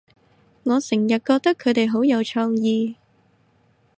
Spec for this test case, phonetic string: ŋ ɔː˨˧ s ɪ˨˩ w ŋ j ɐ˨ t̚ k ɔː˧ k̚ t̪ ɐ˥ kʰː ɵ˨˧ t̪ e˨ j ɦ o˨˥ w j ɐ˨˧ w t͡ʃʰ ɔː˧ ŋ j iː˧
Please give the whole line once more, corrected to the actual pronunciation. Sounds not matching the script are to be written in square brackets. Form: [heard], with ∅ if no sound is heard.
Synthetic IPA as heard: ŋ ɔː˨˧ s ɪ˨˩ [∅] ŋ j ɐ˨ t̚ k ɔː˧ k̚ t̪ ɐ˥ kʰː ɵ˨˧ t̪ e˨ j ɦ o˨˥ w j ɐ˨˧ w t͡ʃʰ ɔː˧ ŋ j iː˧